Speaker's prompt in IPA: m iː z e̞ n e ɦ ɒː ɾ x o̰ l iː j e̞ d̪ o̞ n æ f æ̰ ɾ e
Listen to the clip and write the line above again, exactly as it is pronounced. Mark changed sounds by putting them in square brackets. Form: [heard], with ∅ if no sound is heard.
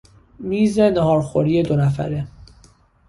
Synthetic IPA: m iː z e̞ n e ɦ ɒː ɾ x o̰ [ɾ] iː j e̞ d̪ o̞ n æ f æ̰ ɾ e